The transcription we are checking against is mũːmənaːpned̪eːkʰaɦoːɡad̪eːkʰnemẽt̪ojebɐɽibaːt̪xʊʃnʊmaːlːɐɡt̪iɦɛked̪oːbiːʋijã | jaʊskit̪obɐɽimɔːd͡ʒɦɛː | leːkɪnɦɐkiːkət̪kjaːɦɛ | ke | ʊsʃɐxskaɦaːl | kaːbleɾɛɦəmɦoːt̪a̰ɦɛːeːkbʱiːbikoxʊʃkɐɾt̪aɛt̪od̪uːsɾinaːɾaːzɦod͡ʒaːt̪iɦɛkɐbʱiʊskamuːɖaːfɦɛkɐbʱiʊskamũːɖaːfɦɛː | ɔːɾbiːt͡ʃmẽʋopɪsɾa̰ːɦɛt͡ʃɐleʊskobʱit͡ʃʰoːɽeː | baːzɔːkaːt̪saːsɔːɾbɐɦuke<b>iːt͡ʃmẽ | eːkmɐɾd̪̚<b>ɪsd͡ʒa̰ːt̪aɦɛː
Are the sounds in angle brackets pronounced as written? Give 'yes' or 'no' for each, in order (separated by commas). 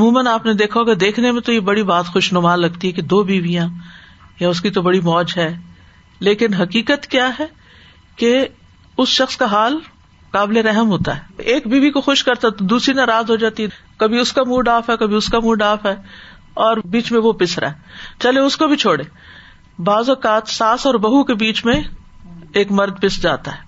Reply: yes, no